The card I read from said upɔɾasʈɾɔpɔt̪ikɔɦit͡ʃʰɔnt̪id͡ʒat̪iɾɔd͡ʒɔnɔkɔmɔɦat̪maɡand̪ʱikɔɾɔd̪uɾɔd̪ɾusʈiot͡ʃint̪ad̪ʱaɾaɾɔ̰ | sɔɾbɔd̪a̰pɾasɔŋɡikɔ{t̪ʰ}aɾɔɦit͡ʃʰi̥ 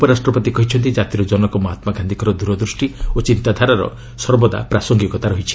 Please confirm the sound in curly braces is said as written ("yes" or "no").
no